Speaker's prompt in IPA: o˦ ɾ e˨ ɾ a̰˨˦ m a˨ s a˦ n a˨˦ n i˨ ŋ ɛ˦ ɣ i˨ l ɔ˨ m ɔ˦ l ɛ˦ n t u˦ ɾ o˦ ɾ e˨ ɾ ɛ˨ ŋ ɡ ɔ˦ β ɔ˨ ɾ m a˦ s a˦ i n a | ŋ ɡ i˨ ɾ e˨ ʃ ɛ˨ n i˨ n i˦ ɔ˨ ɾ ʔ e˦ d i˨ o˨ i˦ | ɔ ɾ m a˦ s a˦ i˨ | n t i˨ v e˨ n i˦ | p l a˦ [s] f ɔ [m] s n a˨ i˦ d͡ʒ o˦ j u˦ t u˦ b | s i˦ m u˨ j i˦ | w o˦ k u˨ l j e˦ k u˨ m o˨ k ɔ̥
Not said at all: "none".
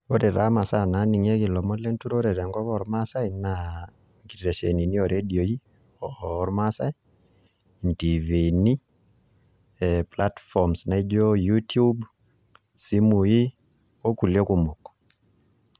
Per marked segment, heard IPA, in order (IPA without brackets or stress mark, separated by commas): t, m